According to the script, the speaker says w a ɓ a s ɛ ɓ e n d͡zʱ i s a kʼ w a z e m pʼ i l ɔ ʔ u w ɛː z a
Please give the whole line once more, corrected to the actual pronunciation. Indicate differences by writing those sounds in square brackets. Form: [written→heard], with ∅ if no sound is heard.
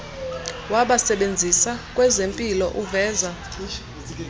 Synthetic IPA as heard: w a ɓ a s ɛ ɓ e n d͡zʱ i s a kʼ w [a→ɛ] z e m pʼ i l ɔ ʔ u [w→v] ɛː z a